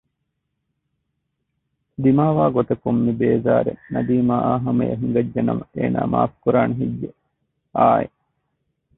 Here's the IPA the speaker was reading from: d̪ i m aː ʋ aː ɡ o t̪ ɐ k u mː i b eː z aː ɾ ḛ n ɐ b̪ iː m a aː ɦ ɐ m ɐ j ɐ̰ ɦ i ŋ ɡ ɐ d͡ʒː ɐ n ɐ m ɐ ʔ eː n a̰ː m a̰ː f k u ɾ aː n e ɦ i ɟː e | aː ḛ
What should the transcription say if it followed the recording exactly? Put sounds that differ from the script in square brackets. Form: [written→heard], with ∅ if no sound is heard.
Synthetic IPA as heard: d̪ i m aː ʋ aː ɡ o t̪ ɐ k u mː i b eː z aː ɾ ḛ n ɐ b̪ iː m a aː ɦ ɐ m ɐ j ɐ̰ ɦ i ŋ ɡ ɐ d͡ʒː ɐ n ɐ m ɐ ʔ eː n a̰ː m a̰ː f k u ɾ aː n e ɦ i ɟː e | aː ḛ

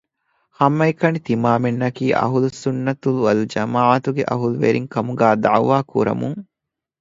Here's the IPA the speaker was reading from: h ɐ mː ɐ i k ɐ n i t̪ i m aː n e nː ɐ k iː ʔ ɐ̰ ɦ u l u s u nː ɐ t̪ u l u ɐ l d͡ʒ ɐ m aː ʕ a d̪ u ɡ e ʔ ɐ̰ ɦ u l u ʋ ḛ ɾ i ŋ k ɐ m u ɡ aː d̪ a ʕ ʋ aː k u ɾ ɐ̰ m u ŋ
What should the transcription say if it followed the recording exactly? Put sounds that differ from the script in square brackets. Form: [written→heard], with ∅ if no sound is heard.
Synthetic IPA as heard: h ɐ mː ɐ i k ɐ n i t̪ i m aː [n→m] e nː ɐ k iː ʔ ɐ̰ ɦ u l u s u nː ɐ t̪ u l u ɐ l d͡ʒ ɐ m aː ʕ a [d̪→t̪] u ɡ e ʔ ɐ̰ ɦ u l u ʋ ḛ ɾ i ŋ k ɐ m u ɡ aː d̪ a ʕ ʋ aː k u ɾ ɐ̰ m u ŋ

